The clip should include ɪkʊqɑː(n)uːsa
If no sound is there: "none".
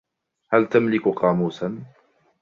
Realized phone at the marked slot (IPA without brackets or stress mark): m